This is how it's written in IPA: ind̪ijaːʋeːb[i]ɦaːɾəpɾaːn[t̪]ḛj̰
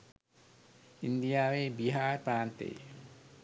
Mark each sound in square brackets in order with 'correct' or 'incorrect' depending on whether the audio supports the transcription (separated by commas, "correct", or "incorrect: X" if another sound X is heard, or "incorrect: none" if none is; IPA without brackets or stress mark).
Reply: correct, correct